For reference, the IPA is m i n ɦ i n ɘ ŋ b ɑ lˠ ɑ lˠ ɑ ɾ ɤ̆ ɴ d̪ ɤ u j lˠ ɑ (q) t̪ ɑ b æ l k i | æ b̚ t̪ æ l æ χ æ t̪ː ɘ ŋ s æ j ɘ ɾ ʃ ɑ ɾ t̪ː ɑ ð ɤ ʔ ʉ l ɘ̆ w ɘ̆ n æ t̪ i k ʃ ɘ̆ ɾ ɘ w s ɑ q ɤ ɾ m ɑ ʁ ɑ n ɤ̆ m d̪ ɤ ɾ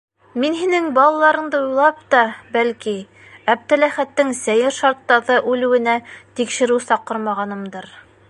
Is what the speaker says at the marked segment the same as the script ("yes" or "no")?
no